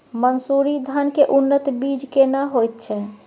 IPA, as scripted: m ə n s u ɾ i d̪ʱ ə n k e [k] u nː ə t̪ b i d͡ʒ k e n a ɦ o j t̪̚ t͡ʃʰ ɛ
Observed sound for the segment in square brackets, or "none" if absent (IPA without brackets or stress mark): ʔ